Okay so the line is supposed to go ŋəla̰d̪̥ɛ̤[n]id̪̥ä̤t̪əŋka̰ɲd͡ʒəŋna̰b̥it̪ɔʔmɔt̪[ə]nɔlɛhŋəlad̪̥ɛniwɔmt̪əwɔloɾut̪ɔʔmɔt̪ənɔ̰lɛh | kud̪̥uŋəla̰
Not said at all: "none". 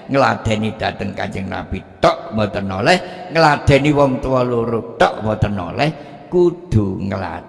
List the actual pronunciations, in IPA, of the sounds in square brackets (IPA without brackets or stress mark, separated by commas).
n, ə